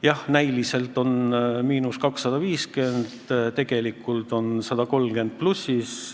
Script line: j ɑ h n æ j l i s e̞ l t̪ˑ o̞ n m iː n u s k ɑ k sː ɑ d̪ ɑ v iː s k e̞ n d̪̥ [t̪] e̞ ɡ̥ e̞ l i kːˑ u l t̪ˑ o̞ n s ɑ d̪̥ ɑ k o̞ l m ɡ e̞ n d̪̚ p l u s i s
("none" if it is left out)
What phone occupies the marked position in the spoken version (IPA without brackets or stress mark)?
t̪